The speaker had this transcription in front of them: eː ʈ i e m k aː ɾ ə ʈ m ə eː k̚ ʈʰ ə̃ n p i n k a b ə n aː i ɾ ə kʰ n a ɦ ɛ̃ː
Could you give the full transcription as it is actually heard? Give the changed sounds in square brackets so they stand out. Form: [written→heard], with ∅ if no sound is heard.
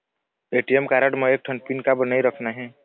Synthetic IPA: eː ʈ i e m k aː ɾ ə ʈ m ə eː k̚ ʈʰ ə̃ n p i n k a b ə n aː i ɾ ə kʰ n a ɦ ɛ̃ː